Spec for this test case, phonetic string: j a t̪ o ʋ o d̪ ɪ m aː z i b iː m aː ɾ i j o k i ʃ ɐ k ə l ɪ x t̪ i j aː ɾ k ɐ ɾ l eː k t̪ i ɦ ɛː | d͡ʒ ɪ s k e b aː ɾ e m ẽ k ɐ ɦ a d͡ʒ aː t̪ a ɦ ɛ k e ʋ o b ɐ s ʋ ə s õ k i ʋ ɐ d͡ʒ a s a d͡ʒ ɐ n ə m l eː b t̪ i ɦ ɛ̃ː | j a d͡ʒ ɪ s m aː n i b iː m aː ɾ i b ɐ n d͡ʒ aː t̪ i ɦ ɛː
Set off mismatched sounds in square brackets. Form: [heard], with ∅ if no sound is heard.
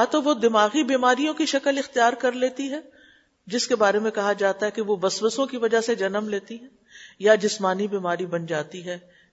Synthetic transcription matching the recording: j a t̪ o ʋ o d̪ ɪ m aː [ɣ] i b iː m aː ɾ i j [õ] k i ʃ ɐ k ə l ɪ x t̪ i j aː ɾ k ɐ ɾ l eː [∅] t̪ i ɦ ɛː | d͡ʒ ɪ s k e b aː ɾ e m ẽ k ɐ ɦ a d͡ʒ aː t̪ a ɦ ɛ k e ʋ o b ɐ s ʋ ə s õ k i ʋ ɐ d͡ʒ a s [e] d͡ʒ ɐ n ə m l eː [∅] t̪ i ɦ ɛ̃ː | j a d͡ʒ ɪ s m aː n i b iː m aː ɾ i b ɐ n d͡ʒ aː t̪ i ɦ ɛː